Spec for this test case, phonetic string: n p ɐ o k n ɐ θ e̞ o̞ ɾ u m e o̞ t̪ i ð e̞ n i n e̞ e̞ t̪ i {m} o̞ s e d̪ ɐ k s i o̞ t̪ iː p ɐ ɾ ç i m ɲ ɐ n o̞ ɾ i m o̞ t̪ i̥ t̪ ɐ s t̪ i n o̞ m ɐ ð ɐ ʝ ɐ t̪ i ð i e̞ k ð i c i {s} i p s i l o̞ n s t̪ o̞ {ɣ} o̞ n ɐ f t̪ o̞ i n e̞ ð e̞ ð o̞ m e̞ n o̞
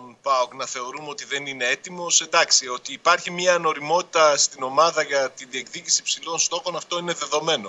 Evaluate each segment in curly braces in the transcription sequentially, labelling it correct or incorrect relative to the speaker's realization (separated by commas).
correct, correct, incorrect